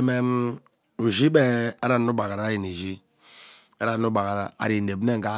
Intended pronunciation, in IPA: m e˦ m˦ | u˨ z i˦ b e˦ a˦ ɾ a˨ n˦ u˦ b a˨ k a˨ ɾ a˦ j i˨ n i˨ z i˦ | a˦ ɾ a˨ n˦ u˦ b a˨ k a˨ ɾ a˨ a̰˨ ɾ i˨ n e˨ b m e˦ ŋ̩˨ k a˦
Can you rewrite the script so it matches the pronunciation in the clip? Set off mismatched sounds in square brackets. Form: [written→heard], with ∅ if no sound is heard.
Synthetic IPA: m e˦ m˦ | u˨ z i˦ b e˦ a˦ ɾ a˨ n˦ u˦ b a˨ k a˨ ɾ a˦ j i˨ n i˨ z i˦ | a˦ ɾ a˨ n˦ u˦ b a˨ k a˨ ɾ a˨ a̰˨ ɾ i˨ n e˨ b [m→n] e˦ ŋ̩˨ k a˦